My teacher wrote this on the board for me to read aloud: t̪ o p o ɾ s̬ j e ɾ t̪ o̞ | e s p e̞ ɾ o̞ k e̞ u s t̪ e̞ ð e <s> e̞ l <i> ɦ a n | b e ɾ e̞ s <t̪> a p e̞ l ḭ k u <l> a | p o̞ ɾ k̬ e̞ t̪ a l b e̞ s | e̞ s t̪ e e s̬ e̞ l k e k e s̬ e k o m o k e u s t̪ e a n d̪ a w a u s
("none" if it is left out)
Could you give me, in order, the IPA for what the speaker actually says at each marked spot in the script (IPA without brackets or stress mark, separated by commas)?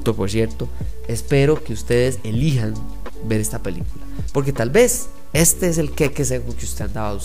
s, i, t̪, l